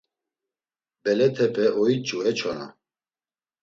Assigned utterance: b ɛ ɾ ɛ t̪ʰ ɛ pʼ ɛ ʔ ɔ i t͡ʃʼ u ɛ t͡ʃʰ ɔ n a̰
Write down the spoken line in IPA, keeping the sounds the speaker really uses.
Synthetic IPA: b ɛ l ɛ t̪ʰ ɛ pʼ ɛ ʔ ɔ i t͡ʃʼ u ɛ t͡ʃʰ ɔ n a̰